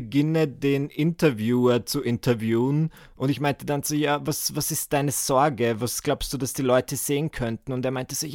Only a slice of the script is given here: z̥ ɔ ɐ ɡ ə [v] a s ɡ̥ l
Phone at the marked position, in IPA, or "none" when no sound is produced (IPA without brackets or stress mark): v